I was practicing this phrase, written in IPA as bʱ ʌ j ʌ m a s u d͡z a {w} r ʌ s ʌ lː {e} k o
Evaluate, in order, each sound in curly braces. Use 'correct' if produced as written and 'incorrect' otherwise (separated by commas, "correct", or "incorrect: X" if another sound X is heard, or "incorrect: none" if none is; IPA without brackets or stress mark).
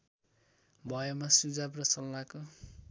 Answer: incorrect: b, incorrect: a